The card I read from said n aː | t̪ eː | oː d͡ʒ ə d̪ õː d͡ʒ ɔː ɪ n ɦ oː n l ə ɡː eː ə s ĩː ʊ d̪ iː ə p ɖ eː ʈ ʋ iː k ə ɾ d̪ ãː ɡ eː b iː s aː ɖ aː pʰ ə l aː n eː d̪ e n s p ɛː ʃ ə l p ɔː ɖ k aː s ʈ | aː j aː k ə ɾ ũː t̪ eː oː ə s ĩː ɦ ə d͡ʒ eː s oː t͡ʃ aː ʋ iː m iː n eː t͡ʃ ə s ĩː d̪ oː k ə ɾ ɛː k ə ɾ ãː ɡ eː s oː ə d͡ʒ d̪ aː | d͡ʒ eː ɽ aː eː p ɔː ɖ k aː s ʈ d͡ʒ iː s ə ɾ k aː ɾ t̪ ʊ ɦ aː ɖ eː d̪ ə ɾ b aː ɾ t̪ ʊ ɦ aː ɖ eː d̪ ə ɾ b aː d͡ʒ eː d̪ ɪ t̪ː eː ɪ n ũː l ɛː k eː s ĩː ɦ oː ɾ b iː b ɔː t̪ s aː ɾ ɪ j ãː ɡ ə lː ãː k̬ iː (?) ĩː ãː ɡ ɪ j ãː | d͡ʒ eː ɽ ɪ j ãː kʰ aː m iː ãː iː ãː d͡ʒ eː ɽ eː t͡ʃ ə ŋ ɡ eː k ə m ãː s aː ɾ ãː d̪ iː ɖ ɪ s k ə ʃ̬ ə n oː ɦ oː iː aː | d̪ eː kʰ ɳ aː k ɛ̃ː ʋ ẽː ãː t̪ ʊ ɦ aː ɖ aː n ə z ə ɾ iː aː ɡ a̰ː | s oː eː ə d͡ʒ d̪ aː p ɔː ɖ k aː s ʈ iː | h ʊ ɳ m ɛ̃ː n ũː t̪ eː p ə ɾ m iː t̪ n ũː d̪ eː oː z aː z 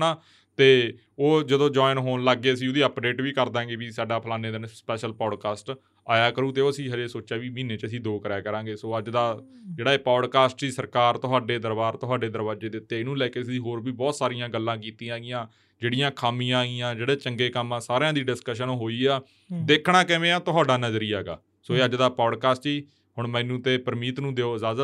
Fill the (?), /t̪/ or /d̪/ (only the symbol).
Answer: t̪